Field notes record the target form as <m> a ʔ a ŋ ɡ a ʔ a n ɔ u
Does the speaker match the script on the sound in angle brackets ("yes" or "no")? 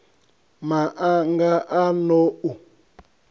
yes